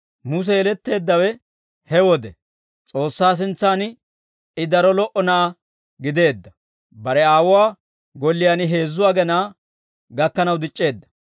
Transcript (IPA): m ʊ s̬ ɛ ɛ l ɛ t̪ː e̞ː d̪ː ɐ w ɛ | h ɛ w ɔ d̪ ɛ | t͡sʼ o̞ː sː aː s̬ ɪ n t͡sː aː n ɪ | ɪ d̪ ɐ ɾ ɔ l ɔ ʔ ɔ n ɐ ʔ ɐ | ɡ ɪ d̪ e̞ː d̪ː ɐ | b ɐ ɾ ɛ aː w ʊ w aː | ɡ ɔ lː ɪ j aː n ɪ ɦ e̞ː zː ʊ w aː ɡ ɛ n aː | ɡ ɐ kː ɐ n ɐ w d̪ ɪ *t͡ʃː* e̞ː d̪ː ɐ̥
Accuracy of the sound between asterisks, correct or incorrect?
incorrect